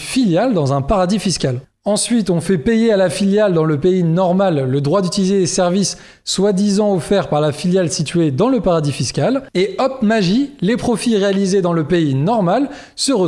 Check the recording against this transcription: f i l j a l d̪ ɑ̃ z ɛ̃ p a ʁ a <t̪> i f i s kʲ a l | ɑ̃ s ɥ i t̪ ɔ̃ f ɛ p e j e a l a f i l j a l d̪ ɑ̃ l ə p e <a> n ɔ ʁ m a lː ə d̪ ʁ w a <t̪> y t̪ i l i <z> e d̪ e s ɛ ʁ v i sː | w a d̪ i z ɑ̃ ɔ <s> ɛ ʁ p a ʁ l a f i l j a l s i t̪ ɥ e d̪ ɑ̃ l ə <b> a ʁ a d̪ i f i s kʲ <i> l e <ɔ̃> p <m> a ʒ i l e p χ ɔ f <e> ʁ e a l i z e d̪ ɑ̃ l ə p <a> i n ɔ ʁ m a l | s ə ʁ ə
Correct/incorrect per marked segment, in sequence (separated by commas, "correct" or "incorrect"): incorrect, incorrect, incorrect, correct, incorrect, incorrect, incorrect, incorrect, correct, incorrect, incorrect